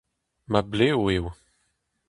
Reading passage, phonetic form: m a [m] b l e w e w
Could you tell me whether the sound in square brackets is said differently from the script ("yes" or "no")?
yes